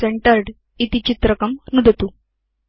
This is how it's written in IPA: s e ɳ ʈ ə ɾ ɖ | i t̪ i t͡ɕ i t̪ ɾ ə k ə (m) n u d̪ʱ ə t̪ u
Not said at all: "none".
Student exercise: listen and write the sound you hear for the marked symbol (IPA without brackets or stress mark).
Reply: m